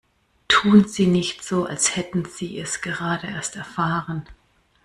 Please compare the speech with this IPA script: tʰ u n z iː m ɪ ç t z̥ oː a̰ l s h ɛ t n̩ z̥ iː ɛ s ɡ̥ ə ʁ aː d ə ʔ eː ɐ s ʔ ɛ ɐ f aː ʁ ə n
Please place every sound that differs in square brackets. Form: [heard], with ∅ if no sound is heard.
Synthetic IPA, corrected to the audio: tʰ [uː] n z iː [n] ɪ ç t z̥ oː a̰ l s h ɛ t n̩ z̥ iː ɛ s ɡ̥ ə ʁ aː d ə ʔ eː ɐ s [t] ɛ ɐ f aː ʁ ə n